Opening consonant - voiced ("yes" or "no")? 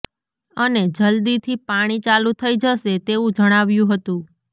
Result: yes